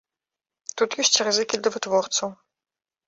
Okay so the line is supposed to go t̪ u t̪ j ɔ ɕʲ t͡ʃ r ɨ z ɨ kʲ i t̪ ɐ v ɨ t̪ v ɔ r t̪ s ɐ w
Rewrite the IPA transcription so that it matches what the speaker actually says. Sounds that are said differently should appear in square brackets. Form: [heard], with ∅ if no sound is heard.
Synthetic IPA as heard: t̪ u t̪ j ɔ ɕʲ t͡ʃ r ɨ z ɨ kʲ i [d̪] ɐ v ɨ t̪ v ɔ r t̪ s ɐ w